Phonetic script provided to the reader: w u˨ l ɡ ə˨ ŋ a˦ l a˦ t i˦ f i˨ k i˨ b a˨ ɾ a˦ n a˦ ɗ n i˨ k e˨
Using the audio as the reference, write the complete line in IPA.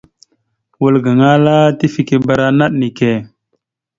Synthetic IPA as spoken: w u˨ l ɡ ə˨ ŋ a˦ l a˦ t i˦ f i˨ k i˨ b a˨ ɾ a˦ n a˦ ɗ n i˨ k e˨